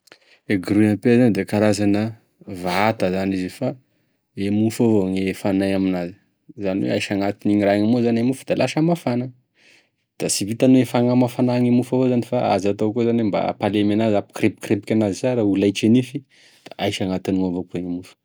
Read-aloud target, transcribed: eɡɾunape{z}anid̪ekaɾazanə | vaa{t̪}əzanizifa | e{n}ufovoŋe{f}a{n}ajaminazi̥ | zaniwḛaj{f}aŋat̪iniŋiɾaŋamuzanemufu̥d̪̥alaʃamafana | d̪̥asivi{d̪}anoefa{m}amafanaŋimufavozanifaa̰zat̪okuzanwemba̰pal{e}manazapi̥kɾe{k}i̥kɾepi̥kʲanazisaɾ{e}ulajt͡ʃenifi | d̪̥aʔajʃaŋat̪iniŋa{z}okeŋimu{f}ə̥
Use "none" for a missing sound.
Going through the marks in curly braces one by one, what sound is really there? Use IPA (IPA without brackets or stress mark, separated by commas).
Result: z, t̪, m, f, n, ʃ, t̪, ŋ, e, p, a, v, f